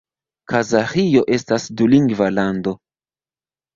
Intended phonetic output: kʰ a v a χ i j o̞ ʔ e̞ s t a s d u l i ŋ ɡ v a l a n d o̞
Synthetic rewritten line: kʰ a z a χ i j o̞ ʔ e̞ s t a s d u l i ŋ ɡ v a l a n d o̞